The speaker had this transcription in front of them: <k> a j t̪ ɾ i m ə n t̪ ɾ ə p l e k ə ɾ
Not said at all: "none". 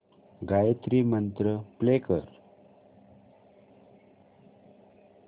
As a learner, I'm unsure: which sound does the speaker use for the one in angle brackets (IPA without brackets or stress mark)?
ɡ